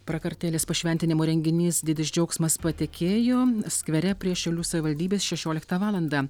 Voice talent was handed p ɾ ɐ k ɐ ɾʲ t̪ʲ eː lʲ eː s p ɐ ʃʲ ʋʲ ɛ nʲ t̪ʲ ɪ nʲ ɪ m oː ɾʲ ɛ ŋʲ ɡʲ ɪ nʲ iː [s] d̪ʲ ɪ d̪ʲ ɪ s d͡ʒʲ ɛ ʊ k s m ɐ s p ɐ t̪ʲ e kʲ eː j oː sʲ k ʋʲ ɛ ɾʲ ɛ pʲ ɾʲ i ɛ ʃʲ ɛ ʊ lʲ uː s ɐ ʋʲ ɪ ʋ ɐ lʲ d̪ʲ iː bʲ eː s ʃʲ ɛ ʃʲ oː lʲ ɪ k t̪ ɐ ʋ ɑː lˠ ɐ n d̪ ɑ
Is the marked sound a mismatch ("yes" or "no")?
no